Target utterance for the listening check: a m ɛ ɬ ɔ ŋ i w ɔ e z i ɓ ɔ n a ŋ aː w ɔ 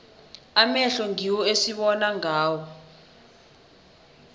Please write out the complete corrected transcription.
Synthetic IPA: a m ɛ ɬ ɔ ŋ i w ɔ e s i ɓ ɔ n a ŋ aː w ɔ